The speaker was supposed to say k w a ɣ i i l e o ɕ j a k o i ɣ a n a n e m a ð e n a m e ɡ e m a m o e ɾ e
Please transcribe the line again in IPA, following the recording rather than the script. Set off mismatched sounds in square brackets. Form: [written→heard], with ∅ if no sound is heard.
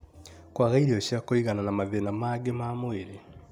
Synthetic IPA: k w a ɣ [i→a] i [l→ɾ] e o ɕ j a k o i ɣ a n a n [e→a] m a ð e n a m [e→a] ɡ e m a m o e ɾ e